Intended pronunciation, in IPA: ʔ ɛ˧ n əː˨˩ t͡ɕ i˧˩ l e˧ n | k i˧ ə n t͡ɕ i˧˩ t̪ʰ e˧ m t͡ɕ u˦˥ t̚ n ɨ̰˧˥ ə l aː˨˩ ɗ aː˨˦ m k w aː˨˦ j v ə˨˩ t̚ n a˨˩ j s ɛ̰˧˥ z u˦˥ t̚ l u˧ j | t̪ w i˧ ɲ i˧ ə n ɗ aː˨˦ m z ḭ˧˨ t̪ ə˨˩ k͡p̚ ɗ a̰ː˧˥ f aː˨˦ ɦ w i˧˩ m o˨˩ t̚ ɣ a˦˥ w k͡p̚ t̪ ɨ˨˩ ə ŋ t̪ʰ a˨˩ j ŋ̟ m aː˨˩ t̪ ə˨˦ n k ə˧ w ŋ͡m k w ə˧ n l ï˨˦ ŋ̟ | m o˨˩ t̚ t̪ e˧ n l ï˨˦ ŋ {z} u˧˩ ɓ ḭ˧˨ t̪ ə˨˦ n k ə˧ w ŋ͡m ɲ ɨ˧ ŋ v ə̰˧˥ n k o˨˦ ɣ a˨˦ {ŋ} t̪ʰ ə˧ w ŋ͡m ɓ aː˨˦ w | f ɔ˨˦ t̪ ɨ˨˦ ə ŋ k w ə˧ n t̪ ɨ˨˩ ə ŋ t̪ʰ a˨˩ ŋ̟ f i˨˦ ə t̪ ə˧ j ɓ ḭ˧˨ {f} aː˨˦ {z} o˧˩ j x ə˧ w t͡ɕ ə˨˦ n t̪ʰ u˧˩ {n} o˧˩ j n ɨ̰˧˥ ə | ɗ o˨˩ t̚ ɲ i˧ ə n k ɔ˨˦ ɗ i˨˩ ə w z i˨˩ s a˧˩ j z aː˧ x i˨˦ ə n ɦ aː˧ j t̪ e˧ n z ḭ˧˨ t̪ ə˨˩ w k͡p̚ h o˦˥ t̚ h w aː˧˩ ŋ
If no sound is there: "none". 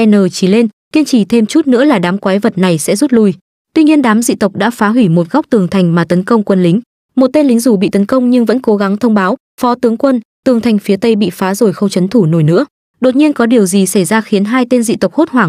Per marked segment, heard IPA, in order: z, ŋ, f, z, n

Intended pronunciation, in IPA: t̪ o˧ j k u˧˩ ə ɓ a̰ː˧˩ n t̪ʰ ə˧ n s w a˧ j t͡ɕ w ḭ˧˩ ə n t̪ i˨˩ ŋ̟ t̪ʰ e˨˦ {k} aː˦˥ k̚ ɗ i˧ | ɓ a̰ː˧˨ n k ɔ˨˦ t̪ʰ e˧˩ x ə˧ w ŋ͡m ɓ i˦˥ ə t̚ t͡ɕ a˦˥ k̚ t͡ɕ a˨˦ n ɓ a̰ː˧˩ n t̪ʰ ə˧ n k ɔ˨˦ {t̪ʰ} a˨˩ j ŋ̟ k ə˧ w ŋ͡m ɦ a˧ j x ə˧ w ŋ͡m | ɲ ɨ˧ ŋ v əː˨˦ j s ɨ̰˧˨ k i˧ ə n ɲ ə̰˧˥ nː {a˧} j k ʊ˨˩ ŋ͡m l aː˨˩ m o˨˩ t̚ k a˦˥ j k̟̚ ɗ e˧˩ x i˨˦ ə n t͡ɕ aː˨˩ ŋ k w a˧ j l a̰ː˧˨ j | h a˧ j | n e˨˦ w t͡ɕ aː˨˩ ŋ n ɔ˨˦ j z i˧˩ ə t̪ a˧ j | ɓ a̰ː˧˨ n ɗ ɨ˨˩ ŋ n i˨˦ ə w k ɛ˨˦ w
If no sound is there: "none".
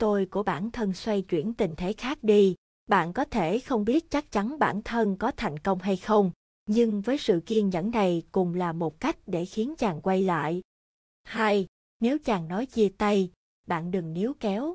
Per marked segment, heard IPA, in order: x, t̪ʰ, a˨˩

